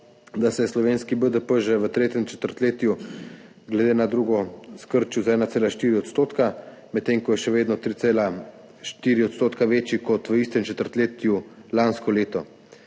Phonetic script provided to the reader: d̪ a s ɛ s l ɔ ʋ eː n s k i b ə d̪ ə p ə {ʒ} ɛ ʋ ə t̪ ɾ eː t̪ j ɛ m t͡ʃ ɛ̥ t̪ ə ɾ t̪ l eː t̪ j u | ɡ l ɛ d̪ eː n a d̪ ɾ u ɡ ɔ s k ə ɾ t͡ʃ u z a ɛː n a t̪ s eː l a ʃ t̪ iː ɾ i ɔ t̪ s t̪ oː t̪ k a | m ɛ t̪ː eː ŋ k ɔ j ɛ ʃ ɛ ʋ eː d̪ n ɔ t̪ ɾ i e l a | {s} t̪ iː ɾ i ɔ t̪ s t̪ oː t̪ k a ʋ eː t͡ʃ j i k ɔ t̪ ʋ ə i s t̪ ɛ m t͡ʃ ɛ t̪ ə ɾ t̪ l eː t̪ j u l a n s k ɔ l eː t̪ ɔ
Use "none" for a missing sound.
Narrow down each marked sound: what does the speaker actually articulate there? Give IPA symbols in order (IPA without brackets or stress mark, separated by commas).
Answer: ʒ, ʃ